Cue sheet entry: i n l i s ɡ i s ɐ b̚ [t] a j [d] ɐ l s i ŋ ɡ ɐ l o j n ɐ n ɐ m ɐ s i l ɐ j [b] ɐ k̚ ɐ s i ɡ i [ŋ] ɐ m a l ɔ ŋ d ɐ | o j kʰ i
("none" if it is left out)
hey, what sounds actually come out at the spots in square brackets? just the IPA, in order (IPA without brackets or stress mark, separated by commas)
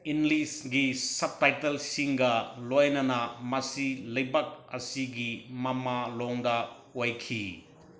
t, t, b, m